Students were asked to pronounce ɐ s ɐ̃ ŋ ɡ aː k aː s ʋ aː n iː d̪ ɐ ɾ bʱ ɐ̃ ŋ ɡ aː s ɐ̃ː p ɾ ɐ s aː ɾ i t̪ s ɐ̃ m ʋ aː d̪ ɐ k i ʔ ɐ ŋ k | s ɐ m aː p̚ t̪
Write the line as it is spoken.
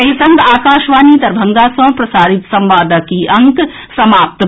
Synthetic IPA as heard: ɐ s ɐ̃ ŋ ɡ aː k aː ʃ ʋ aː n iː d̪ ɐ ɾ bʱ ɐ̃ ŋ ɡ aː s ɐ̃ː p ɾ ɐ s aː ɾ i t̪ s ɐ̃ m ʋ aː d̪ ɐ k i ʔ ɐ ŋ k | s ɐ m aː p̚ t̪

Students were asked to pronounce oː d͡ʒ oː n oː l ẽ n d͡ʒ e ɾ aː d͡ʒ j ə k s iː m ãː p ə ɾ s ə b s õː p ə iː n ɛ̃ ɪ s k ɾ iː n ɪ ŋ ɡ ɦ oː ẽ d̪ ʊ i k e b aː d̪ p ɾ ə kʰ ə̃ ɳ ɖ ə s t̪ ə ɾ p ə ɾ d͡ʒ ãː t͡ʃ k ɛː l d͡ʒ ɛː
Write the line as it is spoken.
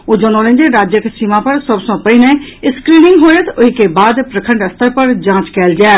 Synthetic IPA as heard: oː d͡ʒ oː n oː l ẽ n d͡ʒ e ɾ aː d͡ʒ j ə k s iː m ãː p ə ɾ s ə b s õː p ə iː n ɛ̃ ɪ s k ɾ iː n ɪ ŋ ɡ ɦ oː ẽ t̪ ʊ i k e b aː d̪ p ɾ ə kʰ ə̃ ɳ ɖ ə s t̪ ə ɾ p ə ɾ d͡ʒ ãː t͡ʃ k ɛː l d͡ʒ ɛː

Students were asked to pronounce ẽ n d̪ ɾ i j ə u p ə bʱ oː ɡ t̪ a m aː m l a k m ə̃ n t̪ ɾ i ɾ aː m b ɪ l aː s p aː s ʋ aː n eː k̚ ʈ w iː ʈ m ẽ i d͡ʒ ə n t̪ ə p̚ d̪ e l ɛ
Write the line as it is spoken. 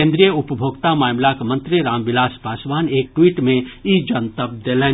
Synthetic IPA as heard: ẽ n d̪ ɾ i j ə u p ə bʱ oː ɡ t̪ a m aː m l a k m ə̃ n t̪ ɾ i ɾ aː m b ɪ l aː s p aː s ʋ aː n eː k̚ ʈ w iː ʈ m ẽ i d͡ʒ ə n t̪ ə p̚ d̪ e l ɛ

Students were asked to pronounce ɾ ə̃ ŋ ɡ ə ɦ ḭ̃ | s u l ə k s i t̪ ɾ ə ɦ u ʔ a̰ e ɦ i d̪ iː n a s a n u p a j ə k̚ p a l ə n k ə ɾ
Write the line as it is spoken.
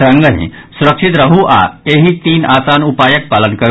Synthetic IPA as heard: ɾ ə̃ ŋ ɡ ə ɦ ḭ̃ | s u ɾ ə k ʂ i t̪ ɾ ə ɦ u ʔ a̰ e ɦ i t̪ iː n a s a n u p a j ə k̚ p a l ə n k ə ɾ

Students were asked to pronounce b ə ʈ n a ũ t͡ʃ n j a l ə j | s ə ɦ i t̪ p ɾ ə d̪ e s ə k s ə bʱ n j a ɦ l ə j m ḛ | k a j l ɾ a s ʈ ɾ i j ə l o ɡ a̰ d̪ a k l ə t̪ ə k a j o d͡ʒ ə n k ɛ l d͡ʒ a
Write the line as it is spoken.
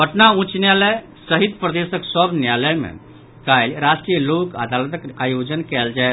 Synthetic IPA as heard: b ə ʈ n a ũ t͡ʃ n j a l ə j | s ə ɦ i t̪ p ɾ ə d̪ e s ə k s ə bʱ n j a l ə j m ḛ | k a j l ɾ a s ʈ ɾ i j ə l o k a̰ d̪ a l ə t̪ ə k a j o d͡ʒ ə n k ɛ l d͡ʒ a

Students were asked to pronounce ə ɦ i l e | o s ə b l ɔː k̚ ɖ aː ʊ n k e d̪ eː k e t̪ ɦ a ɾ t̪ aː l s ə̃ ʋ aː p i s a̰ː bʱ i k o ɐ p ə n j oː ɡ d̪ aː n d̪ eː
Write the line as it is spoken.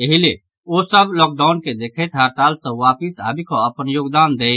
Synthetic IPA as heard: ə ɦ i l e | o s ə b l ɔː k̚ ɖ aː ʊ n k e d̪ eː kʰ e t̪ ɦ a ɾ t̪ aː l s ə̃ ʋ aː p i s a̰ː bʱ i k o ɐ p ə n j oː ɡ d̪ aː n d̪ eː

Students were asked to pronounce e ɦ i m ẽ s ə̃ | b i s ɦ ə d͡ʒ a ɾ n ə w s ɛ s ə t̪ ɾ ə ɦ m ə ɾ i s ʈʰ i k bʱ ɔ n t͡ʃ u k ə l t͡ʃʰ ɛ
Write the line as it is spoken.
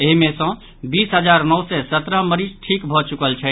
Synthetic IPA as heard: e ɦ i m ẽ s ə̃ | b i s ɦ ə d͡ʒ a ɾ n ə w s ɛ s ə t̪ ɾ ə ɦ m ə ɾ i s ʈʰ i k bʱ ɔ t͡ʃ u k ə l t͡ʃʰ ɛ

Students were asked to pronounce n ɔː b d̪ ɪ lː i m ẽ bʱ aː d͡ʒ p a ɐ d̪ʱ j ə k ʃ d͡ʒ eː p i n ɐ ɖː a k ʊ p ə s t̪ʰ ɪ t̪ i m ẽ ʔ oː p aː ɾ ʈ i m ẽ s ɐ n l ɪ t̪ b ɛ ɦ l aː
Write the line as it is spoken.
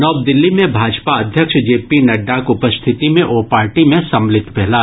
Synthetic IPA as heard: n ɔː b d̪ ɪ lː i m ẽ bʱ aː d͡ʒ p a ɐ d̪ʱ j ə k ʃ d͡ʒ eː p i n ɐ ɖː a k ʊ p ə s t̪ʰ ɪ t̪ i m ẽ ʔ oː p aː ɾ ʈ i m ẽ s ɐ m l ɪ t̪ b ɛ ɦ l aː

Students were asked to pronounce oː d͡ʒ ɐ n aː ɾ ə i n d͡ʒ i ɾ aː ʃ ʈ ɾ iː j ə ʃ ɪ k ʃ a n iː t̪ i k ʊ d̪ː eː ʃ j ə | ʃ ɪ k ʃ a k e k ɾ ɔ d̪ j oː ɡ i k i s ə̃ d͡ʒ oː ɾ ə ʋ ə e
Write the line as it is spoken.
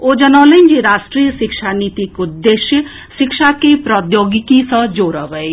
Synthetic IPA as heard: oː d͡ʒ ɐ n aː l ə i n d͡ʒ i ɾ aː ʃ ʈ ɾ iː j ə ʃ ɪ k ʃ a n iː t̪ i k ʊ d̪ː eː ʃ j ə | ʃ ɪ k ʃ a k e p ɾ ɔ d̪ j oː ɡ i k i s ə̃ d͡ʒ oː ɾ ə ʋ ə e

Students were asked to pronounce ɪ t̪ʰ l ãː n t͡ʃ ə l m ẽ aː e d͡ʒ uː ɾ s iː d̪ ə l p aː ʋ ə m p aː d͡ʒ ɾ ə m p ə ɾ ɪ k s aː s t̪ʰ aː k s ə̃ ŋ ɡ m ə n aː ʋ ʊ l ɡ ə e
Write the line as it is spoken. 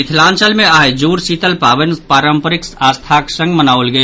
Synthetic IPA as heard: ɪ t̪ʰ l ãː n t͡ʃ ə l m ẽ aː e d͡ʒ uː ɾ s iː t̪ ə l p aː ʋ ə n p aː ɾ ə m p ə ɾ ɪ k s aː s t̪ʰ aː k s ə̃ ŋ ɡ m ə n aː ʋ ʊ l ɡ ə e

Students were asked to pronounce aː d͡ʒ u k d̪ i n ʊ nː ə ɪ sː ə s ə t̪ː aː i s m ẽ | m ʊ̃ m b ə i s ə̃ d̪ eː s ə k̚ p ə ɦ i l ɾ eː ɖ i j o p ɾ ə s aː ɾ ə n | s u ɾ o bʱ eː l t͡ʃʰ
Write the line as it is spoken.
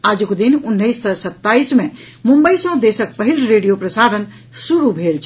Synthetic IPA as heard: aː d͡ʒ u k d̪ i n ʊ nː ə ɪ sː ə s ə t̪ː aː i s m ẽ | m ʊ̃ m b ə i s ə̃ d̪ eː s ə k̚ p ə ɦ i l ɾ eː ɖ i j o p ɾ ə s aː ɾ ə n | s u ɾ u bʱ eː l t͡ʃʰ

